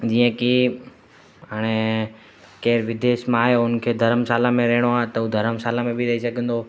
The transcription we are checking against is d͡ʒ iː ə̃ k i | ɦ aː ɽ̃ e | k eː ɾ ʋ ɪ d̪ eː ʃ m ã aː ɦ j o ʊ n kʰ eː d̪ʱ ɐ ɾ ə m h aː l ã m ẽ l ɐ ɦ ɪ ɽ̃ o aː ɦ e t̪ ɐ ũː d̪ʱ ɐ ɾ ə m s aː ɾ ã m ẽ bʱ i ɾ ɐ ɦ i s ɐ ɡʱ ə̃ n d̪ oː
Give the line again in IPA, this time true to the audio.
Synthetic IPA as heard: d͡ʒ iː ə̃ k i | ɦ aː ɽ̃ e | k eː ɾ ʋ ɪ d̪ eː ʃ m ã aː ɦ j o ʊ n kʰ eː d̪ʱ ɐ ɾ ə m s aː l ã m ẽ ɾ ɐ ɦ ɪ ɽ̃ o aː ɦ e t̪ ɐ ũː d̪ʱ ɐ ɾ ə m s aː l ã m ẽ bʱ i ɾ ɐ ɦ i s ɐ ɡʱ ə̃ n d̪ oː